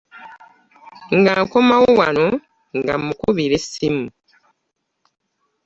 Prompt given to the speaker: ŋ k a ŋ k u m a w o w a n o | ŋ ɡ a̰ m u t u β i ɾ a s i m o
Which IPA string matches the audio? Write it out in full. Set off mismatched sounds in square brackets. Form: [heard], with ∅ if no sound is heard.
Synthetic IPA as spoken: ŋ [ɡ] a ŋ k [o] m a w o w a n o | ŋ ɡ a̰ m u [k] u β i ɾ [e] s i m [u]